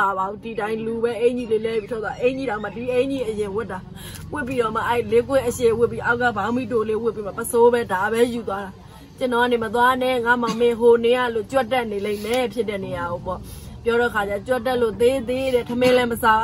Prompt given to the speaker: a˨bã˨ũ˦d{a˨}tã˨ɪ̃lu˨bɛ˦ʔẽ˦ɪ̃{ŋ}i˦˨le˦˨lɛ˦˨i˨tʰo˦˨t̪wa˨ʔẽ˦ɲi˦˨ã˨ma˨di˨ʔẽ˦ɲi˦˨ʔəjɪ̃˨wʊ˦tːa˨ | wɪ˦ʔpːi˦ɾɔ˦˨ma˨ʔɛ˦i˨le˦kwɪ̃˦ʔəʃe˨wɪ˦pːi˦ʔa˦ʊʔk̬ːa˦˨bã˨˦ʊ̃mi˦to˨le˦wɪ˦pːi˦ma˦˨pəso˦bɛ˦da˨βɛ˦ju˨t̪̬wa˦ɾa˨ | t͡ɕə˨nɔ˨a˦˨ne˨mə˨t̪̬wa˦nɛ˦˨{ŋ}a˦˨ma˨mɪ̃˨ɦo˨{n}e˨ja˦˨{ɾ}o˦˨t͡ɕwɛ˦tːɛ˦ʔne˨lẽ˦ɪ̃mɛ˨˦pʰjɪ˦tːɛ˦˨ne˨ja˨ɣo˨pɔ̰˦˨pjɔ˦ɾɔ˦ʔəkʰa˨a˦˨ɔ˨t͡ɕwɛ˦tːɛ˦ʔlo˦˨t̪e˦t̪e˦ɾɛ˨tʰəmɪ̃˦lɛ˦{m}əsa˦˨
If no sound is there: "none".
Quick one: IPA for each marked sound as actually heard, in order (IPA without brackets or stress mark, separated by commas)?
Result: i˨, ɲ, ŋ, n, l, m